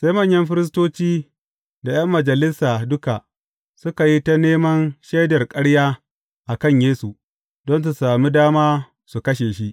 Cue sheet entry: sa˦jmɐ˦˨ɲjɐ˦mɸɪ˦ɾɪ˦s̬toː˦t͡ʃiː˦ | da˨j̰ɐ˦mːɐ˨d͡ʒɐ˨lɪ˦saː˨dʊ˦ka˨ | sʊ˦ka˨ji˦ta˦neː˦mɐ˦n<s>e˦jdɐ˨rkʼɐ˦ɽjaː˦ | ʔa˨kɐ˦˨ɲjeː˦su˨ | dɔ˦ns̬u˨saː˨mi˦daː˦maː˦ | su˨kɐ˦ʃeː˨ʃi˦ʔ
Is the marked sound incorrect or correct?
incorrect: ʃ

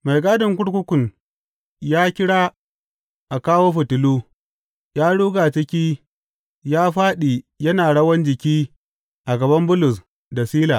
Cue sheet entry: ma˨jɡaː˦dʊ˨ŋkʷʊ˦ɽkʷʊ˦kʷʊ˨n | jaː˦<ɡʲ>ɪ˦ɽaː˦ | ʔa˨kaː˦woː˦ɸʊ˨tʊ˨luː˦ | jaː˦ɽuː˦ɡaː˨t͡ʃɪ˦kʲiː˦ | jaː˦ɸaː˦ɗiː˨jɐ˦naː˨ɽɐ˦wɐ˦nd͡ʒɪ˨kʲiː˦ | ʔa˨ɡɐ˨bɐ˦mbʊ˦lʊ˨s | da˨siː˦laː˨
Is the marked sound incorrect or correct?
incorrect: kʲ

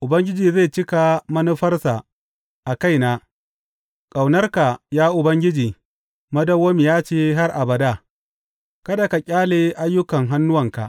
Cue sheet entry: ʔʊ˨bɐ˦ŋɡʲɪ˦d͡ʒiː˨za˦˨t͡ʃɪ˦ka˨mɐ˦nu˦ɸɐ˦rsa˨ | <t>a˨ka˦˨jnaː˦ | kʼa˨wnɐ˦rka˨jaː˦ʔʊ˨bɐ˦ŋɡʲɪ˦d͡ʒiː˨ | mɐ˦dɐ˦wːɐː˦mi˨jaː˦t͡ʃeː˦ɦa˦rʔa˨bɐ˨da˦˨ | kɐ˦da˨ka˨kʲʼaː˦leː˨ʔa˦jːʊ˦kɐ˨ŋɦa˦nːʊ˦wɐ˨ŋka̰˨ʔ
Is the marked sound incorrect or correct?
incorrect: ʔ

